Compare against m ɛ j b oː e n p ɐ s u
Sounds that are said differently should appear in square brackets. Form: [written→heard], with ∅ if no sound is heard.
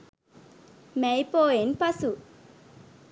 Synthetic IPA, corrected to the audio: m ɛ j [b→p] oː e n p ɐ s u